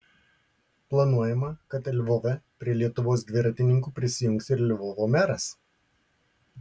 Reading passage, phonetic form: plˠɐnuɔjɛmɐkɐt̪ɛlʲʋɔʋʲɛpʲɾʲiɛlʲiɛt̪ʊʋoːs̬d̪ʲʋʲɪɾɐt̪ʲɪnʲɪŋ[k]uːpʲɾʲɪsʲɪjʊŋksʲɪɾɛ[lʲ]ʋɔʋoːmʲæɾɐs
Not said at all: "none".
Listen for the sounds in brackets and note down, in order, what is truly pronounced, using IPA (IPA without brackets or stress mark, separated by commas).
k, lʲ